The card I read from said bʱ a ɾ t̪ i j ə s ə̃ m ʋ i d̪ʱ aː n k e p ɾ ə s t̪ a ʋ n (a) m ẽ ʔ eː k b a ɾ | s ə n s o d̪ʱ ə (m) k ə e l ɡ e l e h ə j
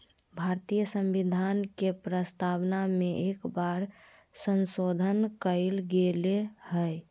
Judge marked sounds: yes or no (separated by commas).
yes, no